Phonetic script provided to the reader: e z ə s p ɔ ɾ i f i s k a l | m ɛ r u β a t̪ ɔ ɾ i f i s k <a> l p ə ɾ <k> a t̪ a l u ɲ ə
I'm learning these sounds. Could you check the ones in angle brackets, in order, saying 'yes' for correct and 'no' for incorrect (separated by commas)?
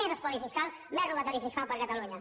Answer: yes, yes